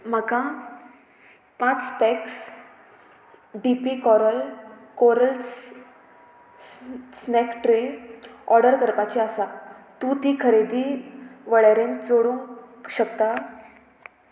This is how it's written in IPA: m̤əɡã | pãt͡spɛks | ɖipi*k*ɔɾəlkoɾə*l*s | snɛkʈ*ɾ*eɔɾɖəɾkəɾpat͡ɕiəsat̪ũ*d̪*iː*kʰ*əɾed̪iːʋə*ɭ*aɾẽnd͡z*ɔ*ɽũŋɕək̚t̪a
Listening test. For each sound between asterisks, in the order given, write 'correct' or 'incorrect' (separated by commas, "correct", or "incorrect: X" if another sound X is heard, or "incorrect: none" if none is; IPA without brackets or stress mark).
correct, correct, correct, incorrect: t̪, correct, correct, incorrect: o